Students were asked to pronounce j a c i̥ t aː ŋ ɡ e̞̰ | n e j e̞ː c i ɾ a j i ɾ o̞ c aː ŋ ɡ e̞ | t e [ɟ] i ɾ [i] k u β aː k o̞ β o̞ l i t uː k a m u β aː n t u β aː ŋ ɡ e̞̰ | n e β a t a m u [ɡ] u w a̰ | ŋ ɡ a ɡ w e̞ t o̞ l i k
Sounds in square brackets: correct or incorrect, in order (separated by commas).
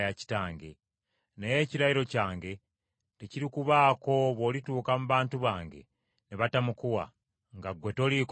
incorrect, correct, incorrect